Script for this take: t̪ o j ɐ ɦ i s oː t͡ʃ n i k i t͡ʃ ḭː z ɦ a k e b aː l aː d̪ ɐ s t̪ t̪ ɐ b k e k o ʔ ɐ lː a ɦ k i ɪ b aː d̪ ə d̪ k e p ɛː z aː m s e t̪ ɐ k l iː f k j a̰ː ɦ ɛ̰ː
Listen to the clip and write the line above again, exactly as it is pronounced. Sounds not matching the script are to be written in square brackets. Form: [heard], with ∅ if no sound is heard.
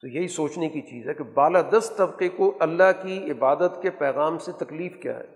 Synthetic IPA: t̪ o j ɐ ɦ i s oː t͡ʃ n [e] k i t͡ʃ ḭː z ɦ [ɛ] k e b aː l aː d̪ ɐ s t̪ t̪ ɐ b [q] e k o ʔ ɐ lː a ɦ k i ɪ b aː d̪ ə [t̪] k e p ɛː [ɣ] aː m s e t̪ ɐ k l iː f k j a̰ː ɦ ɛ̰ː